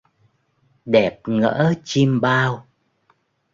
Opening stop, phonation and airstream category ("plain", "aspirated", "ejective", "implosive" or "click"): implosive